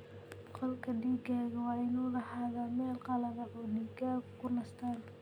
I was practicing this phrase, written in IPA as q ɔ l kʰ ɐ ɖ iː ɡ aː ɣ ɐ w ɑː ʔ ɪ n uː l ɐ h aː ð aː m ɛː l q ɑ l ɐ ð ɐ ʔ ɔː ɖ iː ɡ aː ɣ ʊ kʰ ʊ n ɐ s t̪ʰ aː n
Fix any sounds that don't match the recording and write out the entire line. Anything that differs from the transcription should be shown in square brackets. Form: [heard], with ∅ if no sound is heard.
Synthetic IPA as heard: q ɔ l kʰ ɐ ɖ iː ɡ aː ɣ ɐ w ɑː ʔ ɪ n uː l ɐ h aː ð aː m ɛː l q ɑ l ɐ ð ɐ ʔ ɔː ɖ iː ɡ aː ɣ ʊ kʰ ʊ n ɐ s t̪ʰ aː n